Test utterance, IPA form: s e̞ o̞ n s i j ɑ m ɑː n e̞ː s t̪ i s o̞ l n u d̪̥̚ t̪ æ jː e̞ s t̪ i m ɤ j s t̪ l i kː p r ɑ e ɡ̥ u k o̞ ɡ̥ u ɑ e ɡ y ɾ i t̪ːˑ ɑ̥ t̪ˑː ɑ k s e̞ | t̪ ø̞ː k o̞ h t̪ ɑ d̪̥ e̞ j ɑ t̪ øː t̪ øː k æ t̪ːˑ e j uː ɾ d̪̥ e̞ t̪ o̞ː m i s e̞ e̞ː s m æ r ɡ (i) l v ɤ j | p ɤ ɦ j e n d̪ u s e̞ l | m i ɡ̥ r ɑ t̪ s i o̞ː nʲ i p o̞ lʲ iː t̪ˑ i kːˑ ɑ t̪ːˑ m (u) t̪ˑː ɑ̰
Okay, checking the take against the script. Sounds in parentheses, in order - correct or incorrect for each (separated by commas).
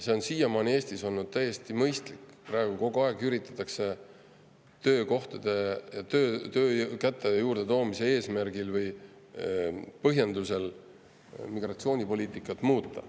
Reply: correct, incorrect